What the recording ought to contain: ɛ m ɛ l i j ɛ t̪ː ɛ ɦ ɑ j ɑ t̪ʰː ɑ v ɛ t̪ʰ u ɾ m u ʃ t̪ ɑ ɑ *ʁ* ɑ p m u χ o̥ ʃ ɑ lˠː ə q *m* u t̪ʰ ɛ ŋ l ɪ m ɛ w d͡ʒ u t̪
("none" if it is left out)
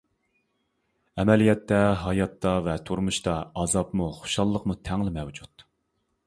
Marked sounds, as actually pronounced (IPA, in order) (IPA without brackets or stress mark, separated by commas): z, m